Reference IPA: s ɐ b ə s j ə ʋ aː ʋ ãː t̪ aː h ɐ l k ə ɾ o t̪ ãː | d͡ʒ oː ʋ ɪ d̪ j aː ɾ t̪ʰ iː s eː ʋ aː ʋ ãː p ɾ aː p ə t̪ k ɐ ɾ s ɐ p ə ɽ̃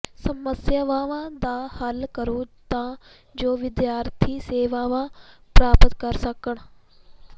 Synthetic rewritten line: s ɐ m ə s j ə ʋ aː ʋ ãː d̪ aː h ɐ l k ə ɾ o t̪ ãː | d͡ʒ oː ʋ ɪ d̪ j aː ɾ t̪ʰ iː s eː ʋ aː ʋ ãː p ɾ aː p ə t̪ k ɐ ɾ s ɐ k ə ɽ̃